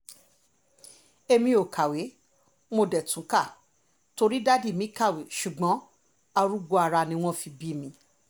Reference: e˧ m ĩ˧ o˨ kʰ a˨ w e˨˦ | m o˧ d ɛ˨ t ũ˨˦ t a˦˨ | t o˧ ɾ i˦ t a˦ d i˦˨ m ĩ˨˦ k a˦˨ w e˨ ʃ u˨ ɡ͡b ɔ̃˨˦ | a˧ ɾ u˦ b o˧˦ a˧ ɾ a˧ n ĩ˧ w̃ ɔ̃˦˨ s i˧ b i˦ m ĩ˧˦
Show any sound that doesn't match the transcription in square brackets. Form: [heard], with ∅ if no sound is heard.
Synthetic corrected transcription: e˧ m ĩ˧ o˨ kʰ a˨ w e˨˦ | m o˧ d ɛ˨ t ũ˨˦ [k] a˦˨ | t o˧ ɾ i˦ [d] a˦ d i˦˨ m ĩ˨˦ k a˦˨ w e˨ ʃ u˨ ɡ͡b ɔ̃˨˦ | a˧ ɾ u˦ [ɡ͡b] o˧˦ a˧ ɾ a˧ n ĩ˧ w̃ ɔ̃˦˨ [f] i˧ b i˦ m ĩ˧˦